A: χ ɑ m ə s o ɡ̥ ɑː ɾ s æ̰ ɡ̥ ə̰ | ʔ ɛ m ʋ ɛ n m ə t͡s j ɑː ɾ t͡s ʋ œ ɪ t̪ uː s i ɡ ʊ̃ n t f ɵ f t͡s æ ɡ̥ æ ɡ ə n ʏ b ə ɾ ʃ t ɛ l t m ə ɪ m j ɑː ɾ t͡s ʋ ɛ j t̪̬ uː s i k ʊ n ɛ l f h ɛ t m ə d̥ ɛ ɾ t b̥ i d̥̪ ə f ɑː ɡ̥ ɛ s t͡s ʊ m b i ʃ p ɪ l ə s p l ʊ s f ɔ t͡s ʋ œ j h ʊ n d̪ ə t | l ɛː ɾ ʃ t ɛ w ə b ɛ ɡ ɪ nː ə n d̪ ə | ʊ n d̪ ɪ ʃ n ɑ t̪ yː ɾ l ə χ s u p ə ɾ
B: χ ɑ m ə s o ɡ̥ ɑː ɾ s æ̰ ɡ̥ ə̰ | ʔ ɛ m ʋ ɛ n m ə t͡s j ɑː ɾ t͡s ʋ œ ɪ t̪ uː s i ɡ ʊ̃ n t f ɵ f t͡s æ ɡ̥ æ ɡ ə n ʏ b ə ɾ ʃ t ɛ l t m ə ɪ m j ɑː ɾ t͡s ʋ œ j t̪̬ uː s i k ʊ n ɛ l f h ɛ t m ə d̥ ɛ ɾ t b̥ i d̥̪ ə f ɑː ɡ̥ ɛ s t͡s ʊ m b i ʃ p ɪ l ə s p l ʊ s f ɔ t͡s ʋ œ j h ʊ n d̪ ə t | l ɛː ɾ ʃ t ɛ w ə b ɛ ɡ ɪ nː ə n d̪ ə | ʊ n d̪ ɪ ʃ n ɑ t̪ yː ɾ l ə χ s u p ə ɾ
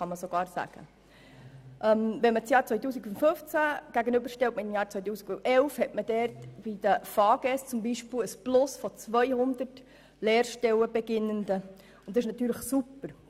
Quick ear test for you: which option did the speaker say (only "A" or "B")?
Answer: B